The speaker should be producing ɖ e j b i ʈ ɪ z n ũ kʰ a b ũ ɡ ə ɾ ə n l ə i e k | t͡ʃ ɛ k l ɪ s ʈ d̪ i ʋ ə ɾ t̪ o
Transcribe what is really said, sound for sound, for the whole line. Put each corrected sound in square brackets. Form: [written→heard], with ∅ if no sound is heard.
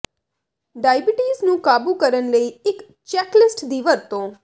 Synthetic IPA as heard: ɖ [e→a] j b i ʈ [ɪ→i] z n ũ [kʰ→k] a b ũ [ɡ→k] ə ɾ ə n l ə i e k | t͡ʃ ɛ k l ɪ s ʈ d̪ i ʋ ə ɾ t̪ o